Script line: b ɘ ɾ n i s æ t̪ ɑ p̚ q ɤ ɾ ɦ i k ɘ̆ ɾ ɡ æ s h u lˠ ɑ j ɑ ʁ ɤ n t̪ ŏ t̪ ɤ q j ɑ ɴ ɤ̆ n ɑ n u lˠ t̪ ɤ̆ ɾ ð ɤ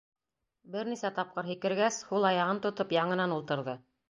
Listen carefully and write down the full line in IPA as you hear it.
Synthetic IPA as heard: b ɘ ɾ n i s æ t̪ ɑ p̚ q ɤ ɾ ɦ i k ɘ̆ ɾ ɡ æ s h u lˠ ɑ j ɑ ʁ ɤ n t̪ ŏ t̪ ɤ p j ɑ ɴ ɤ̆ n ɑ n u lˠ t̪ ɤ̆ ɾ ð ɤ